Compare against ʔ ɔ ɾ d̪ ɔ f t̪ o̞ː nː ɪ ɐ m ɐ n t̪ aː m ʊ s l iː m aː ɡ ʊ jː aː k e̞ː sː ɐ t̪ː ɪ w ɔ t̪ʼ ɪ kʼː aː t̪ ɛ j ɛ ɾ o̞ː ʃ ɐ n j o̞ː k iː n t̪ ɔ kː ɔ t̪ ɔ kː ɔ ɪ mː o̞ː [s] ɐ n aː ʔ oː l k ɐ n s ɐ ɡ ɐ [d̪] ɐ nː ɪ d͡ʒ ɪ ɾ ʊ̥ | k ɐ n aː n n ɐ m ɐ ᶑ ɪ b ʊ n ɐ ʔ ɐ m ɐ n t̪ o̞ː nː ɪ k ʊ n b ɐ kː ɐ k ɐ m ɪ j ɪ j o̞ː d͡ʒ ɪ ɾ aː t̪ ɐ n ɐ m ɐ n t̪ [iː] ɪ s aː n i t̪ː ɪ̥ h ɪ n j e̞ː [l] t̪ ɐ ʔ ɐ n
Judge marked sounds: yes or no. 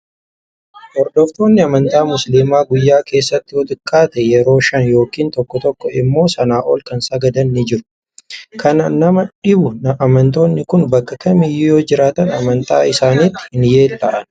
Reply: yes, yes, no, yes

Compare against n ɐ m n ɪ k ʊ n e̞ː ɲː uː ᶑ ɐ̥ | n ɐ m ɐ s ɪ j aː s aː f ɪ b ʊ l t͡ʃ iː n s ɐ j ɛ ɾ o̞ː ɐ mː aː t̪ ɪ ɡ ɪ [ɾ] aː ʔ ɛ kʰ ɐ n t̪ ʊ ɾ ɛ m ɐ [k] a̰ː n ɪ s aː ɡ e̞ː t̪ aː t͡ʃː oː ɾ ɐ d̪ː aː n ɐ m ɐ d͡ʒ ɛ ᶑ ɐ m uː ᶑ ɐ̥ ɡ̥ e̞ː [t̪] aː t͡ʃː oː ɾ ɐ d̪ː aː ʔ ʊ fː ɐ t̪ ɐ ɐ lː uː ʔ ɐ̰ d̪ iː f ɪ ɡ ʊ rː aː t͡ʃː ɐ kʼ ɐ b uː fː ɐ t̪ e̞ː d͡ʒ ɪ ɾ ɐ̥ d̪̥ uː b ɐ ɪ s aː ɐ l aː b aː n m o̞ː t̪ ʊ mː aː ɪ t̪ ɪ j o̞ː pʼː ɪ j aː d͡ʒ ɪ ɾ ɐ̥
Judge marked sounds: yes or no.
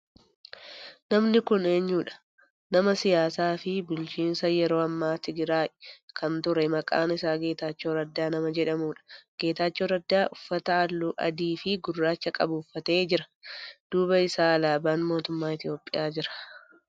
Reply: yes, no, yes

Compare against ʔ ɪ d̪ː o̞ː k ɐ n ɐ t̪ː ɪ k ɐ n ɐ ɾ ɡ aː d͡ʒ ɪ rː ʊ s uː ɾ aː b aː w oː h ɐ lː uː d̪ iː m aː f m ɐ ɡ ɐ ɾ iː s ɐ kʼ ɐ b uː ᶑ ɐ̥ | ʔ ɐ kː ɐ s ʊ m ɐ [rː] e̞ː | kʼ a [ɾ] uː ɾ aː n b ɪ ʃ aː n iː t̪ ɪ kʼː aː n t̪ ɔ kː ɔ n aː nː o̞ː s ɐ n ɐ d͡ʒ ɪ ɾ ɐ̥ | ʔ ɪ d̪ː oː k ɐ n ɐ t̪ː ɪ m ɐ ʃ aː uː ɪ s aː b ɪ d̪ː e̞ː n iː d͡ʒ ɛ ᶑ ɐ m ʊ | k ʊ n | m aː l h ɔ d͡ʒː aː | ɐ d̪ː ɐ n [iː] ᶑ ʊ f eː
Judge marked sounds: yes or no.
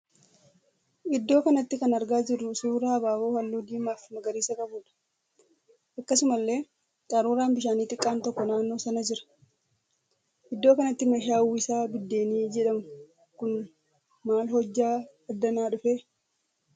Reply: no, yes, no

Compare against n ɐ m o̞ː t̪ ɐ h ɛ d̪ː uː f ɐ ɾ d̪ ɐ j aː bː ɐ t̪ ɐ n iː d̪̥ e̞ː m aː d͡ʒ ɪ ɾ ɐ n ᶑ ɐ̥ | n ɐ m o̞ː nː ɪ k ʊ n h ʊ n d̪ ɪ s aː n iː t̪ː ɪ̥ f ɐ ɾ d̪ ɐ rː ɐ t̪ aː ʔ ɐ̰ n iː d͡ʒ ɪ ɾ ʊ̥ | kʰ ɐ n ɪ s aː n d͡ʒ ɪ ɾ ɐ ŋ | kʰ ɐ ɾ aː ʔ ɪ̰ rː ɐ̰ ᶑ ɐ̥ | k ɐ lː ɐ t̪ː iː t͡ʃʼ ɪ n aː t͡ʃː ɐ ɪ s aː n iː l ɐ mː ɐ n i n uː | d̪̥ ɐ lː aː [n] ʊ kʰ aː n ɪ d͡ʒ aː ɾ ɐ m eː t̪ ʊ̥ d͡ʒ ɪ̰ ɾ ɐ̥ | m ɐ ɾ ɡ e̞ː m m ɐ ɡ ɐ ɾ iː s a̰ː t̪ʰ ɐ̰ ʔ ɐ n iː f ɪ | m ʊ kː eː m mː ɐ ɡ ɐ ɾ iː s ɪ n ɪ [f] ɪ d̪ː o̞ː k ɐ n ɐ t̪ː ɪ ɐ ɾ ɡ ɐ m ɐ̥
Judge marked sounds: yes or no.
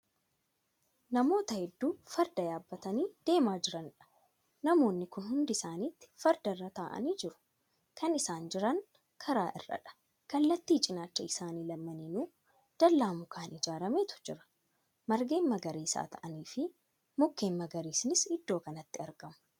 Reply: no, no

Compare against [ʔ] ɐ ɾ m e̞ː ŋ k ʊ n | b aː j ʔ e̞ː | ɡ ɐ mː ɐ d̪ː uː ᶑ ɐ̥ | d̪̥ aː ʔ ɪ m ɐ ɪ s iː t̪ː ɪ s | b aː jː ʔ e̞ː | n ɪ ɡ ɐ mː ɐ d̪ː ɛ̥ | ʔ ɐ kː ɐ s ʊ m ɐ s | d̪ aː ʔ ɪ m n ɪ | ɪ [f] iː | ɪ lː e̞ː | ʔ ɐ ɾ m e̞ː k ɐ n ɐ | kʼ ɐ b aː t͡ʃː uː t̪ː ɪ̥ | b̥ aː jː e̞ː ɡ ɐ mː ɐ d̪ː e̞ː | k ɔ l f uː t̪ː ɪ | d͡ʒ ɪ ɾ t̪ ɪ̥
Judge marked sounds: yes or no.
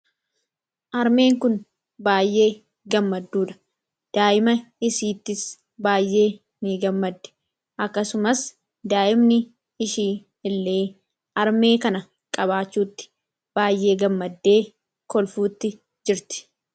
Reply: yes, no

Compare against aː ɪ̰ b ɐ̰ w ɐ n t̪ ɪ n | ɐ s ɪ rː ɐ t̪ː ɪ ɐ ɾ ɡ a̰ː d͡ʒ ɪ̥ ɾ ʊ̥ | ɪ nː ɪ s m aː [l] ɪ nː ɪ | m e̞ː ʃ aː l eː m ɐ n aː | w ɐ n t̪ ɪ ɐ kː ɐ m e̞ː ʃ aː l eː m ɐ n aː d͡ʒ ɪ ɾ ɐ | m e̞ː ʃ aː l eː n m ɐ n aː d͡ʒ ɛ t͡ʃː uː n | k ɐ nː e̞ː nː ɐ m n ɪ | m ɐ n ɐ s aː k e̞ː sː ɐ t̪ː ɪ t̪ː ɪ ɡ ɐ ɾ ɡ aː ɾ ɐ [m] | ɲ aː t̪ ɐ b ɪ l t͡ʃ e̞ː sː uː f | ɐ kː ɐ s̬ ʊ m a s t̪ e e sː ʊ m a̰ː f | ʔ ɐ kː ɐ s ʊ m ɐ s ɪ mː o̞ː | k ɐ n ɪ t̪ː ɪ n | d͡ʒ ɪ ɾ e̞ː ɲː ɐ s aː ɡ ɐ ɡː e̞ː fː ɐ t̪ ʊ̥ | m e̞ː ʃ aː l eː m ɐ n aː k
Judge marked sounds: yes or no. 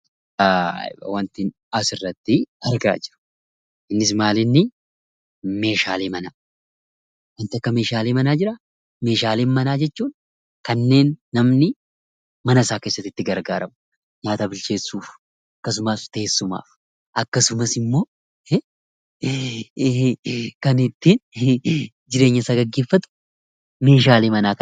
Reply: yes, yes

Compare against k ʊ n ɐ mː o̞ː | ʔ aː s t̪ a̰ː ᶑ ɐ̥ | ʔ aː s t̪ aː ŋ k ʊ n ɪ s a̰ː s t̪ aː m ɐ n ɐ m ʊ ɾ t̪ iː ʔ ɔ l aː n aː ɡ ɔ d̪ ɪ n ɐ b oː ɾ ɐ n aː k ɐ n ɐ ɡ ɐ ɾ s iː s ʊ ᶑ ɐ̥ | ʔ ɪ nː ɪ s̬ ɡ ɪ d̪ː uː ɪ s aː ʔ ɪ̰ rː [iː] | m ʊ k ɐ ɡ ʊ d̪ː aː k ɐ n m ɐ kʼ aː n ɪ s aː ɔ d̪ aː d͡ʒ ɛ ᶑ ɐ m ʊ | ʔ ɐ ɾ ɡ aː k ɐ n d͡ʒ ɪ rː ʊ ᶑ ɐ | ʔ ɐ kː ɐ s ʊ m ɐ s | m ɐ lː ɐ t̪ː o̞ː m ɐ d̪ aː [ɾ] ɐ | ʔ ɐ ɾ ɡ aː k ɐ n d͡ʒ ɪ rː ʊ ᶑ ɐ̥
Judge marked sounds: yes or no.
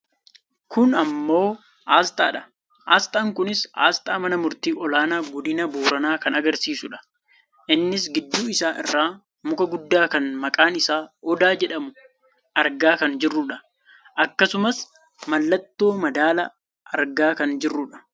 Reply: no, no

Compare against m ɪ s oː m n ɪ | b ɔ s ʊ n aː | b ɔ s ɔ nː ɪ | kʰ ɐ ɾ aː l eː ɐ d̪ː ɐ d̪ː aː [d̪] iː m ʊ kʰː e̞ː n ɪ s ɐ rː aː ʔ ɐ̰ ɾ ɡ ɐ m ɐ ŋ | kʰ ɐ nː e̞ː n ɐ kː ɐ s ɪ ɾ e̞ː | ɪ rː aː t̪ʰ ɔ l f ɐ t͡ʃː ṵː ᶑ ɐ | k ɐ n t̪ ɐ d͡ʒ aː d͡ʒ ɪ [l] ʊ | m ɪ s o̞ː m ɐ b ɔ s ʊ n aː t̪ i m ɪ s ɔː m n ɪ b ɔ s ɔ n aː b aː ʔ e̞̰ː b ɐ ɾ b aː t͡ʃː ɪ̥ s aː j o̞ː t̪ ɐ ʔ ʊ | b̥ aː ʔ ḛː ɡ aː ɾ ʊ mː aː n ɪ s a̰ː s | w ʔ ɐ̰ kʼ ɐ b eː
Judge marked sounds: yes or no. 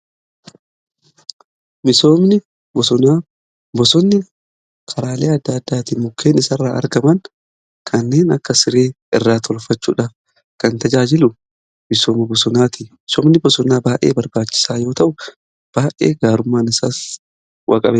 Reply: no, yes

